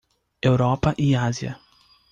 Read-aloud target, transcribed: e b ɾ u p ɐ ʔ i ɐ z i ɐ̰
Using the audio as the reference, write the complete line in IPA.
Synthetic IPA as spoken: e w ɾ ɔ p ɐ ʔ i a z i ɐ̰